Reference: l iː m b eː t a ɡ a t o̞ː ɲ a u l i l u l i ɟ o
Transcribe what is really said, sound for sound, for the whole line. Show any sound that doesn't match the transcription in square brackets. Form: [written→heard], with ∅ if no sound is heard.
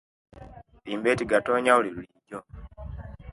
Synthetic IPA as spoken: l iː m b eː t [a→i] ɡ a t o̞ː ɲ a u l i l u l i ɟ o